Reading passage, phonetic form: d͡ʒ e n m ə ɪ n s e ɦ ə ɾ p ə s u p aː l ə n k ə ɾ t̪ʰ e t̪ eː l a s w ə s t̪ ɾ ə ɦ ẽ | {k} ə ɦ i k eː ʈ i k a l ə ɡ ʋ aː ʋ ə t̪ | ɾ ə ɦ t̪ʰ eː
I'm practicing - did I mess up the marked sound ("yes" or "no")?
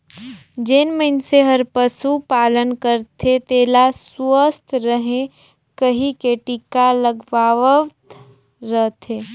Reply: no